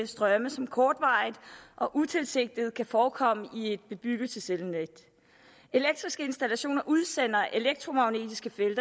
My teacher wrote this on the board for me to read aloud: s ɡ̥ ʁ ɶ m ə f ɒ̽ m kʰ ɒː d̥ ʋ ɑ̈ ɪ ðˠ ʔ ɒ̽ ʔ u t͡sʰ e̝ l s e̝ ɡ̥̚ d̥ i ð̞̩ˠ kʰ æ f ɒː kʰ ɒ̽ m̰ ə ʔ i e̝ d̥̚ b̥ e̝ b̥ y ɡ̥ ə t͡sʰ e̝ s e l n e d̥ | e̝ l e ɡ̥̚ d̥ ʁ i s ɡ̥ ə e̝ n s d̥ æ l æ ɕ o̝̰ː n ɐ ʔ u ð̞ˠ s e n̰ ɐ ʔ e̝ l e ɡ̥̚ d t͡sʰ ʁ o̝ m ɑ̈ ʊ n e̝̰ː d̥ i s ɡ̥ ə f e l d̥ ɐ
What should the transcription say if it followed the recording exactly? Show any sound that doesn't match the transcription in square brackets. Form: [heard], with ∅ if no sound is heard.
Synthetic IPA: s [d̥] ʁ ɶ m ə [s] ɒ̽ m kʰ ɒː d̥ ʋ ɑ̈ ɪ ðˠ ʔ ɒ̽ ʔ u t͡sʰ e̝ l s e̝ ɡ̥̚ d̥ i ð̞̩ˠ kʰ æ f ɒː kʰ ɒ̽ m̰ ə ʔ i e̝ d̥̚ b̥ e̝ b̥ y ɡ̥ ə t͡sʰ e̝ s e l n e d̥ | e̝ l e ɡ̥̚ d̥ ʁ i s ɡ̥ ə e̝ n s d̥ æ l æ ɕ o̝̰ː n ɐ ʔ u ð̞ˠ s e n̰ ɐ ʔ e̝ l e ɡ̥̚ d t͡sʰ ʁ o̝ m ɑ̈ ʊ n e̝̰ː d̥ i s ɡ̥ ə f e l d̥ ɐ